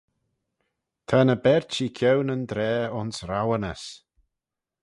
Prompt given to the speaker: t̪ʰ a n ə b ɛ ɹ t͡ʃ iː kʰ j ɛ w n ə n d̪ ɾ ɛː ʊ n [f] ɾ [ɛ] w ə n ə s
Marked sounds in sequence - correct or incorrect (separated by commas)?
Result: incorrect, incorrect